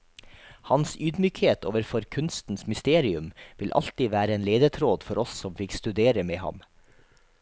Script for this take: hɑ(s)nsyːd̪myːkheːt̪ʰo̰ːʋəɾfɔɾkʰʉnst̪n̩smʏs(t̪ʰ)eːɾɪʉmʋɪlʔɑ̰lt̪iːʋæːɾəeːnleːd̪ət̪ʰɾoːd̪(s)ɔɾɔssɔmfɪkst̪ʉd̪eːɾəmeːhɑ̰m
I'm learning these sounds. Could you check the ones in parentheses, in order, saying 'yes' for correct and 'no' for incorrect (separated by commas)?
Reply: no, no, no